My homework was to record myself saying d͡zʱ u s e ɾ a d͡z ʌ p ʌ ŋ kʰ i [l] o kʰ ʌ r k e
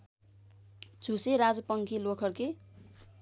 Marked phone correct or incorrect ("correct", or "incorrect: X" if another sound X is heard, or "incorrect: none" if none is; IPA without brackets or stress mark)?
correct